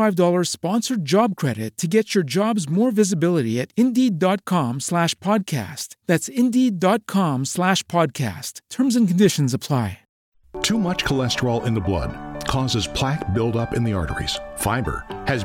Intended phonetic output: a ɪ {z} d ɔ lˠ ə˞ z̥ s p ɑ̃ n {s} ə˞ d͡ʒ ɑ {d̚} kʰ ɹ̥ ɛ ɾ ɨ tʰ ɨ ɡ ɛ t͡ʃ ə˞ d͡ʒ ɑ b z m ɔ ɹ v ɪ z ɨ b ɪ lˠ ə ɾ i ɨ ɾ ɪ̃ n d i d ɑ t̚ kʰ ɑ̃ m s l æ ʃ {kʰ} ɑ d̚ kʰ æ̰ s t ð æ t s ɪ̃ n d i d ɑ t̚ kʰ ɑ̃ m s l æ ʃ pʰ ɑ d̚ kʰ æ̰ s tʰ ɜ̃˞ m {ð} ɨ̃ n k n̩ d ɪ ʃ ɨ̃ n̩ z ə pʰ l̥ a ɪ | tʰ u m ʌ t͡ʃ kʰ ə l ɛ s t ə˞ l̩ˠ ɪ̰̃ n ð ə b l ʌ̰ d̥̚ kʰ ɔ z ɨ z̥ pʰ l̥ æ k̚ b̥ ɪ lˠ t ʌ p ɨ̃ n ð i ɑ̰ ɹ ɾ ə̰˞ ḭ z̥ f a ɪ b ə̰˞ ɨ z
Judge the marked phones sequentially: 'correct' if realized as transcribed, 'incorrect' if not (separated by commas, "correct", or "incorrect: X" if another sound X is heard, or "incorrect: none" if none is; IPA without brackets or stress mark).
incorrect: v, correct, incorrect: b̚, incorrect: pʰ, incorrect: z